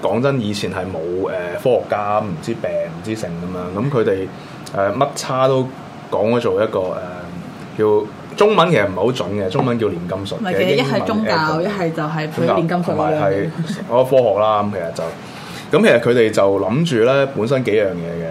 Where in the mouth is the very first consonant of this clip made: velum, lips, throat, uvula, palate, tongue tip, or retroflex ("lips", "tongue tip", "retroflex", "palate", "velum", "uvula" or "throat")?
velum